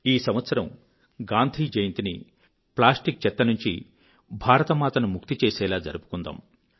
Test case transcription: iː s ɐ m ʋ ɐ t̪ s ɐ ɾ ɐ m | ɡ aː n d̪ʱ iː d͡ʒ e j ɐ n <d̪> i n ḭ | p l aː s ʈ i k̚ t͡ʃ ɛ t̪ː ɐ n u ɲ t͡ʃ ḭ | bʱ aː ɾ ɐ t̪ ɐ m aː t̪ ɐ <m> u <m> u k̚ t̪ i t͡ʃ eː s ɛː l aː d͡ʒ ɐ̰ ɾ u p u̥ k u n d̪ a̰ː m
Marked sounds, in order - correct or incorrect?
incorrect, incorrect, correct

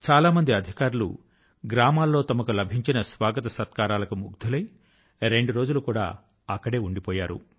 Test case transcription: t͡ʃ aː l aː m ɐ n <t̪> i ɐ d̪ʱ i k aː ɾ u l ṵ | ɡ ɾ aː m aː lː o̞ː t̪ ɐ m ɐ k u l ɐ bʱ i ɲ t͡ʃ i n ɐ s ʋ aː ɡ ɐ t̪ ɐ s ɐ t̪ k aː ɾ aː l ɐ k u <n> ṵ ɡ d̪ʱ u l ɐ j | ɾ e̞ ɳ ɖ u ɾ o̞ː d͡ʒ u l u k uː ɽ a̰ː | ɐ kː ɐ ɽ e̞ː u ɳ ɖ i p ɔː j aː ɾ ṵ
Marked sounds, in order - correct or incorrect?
incorrect, incorrect

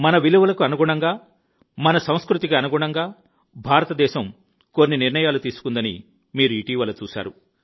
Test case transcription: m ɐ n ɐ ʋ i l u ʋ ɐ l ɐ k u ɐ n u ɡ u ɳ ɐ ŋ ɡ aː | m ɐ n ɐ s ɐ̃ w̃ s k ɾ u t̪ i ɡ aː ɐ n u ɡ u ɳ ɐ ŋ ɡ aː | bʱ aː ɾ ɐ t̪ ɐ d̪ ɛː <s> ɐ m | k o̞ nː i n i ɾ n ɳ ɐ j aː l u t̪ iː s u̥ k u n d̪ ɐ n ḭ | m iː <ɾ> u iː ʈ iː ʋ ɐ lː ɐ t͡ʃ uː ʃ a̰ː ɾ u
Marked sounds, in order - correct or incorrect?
incorrect, correct

